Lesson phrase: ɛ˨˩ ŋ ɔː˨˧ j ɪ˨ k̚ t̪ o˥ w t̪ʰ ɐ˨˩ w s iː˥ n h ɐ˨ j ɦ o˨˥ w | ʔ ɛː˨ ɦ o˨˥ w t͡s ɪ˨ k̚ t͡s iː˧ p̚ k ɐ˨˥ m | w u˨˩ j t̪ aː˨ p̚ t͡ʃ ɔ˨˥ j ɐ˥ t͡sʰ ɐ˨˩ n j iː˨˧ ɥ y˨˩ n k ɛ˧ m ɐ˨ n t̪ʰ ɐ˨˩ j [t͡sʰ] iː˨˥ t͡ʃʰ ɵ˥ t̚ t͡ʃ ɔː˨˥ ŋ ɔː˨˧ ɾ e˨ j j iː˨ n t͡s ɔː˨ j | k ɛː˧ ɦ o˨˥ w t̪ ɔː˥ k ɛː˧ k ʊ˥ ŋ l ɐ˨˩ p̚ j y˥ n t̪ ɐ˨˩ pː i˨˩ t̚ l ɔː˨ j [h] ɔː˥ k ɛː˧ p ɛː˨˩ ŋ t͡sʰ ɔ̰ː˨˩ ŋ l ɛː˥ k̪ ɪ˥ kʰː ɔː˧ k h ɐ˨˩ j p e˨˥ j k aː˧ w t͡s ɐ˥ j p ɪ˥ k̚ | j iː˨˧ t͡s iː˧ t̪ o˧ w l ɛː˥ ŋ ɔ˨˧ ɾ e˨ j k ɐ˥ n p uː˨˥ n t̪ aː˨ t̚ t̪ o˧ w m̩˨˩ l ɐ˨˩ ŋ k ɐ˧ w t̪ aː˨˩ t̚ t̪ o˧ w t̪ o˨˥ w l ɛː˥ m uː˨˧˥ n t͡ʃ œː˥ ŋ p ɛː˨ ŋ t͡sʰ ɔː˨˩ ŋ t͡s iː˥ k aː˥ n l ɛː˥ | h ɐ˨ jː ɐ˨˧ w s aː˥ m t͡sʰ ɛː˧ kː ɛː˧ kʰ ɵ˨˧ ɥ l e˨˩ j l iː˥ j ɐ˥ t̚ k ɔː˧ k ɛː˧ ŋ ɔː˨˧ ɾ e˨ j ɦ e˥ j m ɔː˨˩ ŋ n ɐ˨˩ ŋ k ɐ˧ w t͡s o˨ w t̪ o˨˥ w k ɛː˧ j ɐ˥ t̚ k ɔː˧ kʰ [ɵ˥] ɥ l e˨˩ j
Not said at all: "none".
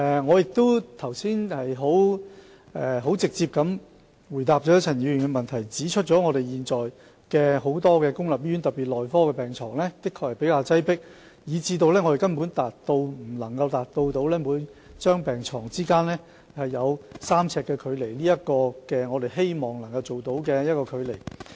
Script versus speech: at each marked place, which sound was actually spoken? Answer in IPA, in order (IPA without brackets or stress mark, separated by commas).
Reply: t͡s, f, ɵ˨˧